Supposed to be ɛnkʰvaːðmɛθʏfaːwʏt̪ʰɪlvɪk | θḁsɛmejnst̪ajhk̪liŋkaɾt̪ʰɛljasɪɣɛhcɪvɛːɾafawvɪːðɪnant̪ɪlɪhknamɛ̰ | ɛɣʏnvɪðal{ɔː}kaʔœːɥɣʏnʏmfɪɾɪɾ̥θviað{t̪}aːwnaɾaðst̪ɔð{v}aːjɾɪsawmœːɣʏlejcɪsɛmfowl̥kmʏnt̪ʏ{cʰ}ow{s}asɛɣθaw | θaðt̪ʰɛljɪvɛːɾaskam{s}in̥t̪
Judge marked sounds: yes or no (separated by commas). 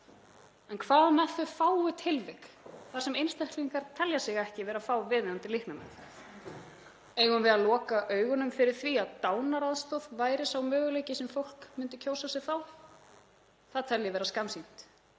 yes, yes, yes, yes, yes, yes